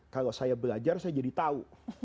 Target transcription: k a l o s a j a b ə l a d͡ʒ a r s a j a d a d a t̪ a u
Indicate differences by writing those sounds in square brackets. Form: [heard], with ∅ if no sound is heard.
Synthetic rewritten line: k a l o s a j a b ə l a d͡ʒ a r s a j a [d͡ʒ] a d [i] t̪ a u